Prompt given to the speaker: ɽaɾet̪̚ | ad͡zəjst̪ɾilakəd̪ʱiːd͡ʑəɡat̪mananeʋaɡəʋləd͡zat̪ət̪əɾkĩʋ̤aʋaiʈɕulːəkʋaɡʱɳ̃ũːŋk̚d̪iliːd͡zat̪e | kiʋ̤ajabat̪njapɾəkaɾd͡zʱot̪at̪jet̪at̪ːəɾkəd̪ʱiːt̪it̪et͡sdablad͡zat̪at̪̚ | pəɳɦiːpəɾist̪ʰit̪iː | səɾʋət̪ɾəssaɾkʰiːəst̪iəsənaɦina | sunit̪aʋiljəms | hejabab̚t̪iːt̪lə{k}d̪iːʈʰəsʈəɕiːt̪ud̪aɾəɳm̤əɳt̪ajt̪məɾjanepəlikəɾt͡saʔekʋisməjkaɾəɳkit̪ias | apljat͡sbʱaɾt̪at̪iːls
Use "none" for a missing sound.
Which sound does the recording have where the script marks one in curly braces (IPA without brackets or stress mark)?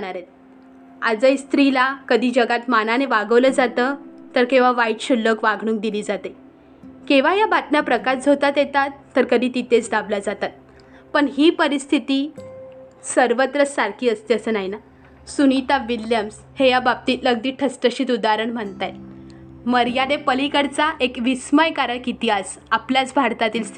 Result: ɡ